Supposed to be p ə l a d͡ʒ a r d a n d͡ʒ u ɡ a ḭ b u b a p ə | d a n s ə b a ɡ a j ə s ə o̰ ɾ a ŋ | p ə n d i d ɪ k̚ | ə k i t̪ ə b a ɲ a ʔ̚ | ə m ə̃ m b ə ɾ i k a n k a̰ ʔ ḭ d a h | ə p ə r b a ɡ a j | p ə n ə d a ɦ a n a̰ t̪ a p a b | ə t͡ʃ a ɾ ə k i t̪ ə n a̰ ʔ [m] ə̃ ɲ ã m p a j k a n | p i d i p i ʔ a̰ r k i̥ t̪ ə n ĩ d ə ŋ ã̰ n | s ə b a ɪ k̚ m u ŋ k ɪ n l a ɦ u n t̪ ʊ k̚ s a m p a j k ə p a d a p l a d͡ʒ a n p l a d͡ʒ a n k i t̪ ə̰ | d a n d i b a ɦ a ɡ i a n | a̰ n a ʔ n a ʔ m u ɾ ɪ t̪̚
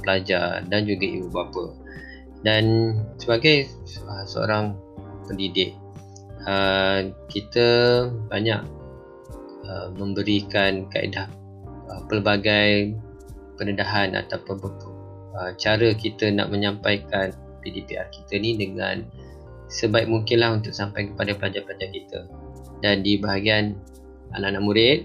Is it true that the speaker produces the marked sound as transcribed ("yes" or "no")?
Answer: yes